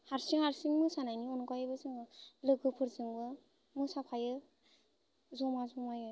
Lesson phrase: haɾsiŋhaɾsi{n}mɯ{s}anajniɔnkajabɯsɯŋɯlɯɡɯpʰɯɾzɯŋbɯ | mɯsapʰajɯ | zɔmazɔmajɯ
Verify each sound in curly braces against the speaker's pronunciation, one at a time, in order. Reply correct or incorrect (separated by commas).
incorrect, correct